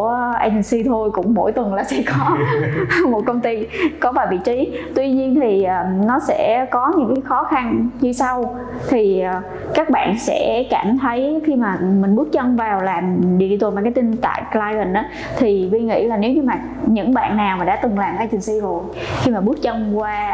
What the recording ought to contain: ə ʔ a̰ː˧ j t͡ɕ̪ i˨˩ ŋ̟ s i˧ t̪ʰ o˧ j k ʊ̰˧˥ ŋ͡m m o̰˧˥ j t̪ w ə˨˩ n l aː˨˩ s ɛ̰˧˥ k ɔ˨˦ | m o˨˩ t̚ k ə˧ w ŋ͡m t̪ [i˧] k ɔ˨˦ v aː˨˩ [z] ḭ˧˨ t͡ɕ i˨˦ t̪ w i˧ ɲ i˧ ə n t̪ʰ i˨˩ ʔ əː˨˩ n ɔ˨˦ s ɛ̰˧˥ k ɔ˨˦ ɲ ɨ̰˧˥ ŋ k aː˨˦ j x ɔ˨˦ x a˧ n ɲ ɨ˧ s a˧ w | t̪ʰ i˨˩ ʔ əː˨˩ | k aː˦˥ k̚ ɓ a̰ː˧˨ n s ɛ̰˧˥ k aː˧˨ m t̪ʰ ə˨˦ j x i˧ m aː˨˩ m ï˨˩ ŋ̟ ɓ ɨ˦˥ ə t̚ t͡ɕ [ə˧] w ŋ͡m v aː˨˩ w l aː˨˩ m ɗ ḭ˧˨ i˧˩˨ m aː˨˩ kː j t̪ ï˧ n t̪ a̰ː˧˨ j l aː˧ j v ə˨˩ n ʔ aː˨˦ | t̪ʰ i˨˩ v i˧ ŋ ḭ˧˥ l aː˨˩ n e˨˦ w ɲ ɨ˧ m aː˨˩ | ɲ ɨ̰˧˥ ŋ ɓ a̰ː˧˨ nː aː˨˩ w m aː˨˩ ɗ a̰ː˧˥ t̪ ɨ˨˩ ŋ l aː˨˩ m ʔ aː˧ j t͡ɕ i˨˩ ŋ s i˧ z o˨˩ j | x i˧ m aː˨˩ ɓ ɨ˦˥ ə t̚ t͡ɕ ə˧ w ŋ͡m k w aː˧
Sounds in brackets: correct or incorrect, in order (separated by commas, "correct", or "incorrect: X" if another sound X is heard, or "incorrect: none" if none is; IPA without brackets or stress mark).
correct, incorrect: v, correct